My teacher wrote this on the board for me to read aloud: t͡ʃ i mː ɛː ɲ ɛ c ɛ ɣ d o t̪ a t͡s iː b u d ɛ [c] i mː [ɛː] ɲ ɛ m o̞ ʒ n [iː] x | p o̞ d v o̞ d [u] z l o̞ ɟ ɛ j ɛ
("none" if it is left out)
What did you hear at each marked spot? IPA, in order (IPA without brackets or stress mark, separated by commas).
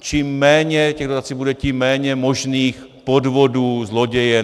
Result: c, ɛː, iː, uː